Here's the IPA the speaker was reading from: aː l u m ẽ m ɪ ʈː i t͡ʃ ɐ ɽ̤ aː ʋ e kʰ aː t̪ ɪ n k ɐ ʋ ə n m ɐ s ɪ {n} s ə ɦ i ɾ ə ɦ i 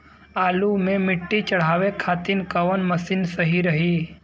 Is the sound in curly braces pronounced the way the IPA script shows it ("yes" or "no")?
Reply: yes